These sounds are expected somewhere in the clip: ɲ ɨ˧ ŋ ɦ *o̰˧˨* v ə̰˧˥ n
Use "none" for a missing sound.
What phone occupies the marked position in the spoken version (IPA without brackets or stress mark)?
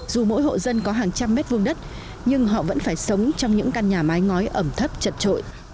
ɔ̰˧˨